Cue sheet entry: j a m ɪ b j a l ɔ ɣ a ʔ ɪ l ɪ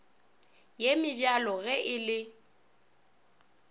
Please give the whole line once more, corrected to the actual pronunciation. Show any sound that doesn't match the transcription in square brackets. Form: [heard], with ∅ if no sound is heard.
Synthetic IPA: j [e] m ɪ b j a l ɔ ɣ [ɛ] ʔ ɪ l ɪ

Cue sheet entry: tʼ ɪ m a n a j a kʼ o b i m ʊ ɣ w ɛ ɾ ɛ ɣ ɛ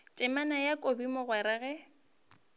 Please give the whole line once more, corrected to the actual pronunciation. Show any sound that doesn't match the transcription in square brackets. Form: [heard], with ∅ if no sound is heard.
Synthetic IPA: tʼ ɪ m a n a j a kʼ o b i m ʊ ɣ w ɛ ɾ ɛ ɣ ɛ

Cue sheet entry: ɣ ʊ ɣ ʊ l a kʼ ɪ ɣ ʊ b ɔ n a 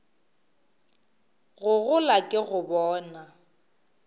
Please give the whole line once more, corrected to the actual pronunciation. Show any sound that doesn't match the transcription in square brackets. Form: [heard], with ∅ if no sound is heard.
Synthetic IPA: ɣ ʊ ɣ ʊ l a kʼ ɪ ɣ ʊ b [ɔː] n a

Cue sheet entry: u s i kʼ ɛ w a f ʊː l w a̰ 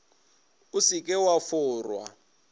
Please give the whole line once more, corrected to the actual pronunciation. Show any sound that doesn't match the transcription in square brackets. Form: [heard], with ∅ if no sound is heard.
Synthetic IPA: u s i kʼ ɛ w a f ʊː [r] w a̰

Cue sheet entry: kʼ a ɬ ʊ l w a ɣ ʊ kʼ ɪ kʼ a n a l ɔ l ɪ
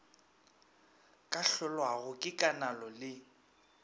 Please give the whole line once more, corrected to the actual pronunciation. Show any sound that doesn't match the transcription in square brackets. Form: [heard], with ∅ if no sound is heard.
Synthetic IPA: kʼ a ɬ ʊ l w a ɣ ʊ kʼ ɪ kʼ a n a l ɔ l ɪ

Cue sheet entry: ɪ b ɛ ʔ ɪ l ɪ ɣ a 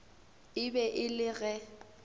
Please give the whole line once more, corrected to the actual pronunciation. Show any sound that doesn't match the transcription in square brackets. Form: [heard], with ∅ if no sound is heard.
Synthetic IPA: ɪ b ɛ ʔ ɪ l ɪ ɣ [ɛ]

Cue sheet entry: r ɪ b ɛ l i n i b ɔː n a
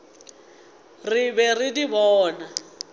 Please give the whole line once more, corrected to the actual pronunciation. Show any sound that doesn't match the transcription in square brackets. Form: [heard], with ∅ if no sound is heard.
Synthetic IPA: r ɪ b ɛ [r] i [d] i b ɔː n a

